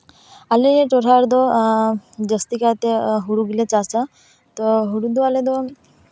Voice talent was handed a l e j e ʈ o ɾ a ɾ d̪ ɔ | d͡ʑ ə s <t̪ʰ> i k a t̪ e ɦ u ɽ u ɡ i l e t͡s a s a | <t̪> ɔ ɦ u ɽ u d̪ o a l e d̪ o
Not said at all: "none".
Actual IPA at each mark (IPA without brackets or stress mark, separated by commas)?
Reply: t̪, t̪